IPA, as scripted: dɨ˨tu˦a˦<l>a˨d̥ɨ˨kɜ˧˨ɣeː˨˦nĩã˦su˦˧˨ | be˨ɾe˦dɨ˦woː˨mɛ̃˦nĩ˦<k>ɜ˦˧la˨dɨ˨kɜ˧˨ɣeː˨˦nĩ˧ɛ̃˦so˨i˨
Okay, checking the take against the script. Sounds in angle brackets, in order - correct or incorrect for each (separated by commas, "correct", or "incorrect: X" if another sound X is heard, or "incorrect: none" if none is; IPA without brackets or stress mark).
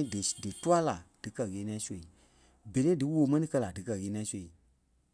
correct, correct